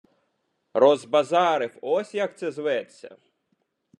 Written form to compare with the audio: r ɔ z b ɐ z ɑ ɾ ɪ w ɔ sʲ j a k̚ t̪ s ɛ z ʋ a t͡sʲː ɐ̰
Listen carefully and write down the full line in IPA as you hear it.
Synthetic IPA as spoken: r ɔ z b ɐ z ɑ ɾ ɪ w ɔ sʲ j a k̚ t̪ s ɛ z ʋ ɛ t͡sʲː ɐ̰